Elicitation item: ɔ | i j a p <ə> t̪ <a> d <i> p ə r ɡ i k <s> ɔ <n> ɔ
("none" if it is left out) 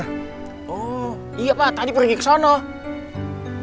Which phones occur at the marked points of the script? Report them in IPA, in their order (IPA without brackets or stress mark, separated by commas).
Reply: a, a, i, s, n